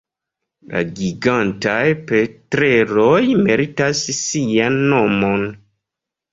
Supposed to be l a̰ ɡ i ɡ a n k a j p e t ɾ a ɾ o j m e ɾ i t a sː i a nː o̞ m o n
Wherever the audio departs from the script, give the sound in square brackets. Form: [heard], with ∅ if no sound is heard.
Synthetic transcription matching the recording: l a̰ ɡ i ɡ a n [t] a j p e t ɾ [e] ɾ o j m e ɾ i t a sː i a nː o̞ m o n